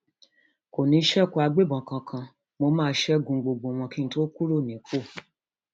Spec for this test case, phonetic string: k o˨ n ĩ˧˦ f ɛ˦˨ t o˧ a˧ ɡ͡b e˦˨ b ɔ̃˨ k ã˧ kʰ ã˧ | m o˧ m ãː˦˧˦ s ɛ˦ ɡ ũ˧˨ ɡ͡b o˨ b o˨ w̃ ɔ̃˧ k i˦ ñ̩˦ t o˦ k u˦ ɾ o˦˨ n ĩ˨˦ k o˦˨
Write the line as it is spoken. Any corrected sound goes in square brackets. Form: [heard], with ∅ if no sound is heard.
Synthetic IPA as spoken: k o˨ n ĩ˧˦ [ʃ] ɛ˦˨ [k] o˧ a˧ ɡ͡b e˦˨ b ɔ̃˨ k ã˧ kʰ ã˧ | m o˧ m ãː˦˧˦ [ʃ] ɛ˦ ɡ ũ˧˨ ɡ͡b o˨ [ɡ͡b] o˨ w̃ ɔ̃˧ k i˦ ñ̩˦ t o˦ k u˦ ɾ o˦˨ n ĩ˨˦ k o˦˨